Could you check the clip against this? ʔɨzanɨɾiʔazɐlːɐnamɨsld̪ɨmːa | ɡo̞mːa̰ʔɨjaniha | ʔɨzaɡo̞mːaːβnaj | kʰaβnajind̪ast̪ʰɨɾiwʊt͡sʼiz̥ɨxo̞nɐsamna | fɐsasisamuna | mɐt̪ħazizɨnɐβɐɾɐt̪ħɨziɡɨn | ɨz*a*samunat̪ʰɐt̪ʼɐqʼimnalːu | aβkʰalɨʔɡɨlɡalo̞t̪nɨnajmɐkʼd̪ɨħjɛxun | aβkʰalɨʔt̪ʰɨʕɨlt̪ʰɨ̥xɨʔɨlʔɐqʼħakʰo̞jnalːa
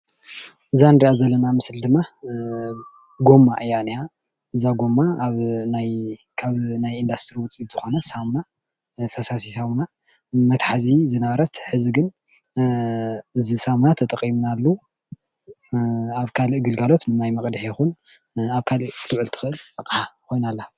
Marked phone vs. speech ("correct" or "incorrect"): incorrect